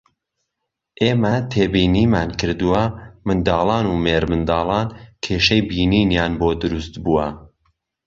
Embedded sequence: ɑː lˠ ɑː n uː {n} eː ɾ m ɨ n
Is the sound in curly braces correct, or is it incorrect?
incorrect: m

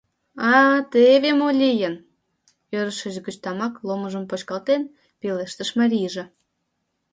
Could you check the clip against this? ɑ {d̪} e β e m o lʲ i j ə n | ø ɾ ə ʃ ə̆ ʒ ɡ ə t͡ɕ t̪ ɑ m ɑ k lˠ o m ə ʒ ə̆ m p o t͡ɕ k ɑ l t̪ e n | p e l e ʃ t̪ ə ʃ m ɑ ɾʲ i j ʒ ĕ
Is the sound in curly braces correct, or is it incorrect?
incorrect: t̪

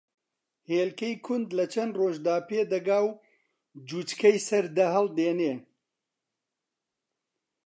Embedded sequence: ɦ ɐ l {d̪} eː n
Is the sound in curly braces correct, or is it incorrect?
correct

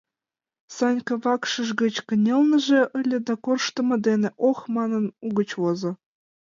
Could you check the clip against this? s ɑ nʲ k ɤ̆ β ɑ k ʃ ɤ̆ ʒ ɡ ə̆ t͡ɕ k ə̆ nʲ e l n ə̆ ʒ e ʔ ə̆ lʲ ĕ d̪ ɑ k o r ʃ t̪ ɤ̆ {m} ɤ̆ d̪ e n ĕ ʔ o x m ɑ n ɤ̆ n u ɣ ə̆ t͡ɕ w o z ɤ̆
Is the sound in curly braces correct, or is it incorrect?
correct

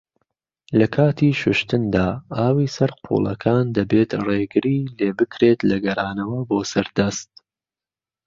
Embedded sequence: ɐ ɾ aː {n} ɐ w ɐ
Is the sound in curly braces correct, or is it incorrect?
correct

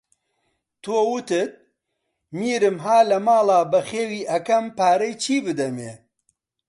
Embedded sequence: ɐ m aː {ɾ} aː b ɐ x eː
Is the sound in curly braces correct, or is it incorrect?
incorrect: l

